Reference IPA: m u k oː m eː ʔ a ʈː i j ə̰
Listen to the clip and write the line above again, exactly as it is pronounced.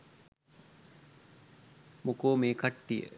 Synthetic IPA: m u k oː m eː k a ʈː i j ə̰